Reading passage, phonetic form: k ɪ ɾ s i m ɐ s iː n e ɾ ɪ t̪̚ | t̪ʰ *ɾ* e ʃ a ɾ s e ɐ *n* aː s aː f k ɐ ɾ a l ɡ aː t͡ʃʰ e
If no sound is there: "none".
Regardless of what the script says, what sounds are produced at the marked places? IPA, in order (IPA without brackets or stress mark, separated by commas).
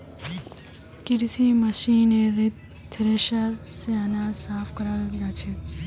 ɾ, n